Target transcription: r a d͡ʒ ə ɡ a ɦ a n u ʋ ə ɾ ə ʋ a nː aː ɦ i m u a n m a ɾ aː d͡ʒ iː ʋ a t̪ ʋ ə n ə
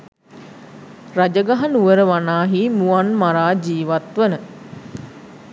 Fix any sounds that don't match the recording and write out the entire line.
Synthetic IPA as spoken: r a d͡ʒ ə ɡ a ɦ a n u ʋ ə ɾ ə ʋ a n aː ɦ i m u a n m a ɾ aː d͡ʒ iː ʋ a t̪ ʋ ə n ə